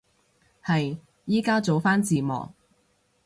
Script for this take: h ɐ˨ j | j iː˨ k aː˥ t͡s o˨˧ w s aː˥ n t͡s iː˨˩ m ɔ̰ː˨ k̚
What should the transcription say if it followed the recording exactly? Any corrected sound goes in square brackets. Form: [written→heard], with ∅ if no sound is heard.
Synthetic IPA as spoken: h ɐ˨ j | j [iː˨→iː˥] k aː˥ t͡s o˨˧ w [s→f] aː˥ n t͡s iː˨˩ m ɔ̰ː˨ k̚